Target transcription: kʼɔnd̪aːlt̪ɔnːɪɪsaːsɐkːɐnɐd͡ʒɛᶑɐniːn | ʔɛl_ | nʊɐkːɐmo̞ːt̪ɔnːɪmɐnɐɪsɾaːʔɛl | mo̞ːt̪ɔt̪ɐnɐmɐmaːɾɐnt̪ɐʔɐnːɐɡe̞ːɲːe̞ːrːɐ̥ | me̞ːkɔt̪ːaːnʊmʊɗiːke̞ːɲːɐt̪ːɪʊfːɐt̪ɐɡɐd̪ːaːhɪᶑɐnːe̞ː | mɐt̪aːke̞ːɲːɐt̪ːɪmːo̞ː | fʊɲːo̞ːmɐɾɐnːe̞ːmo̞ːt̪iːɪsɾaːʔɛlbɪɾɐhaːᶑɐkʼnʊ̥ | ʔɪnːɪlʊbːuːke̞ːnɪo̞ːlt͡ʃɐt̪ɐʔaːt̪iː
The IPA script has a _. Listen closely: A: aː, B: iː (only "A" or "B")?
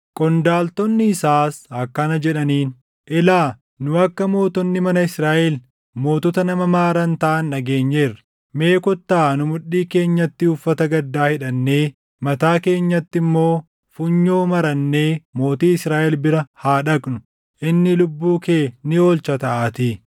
A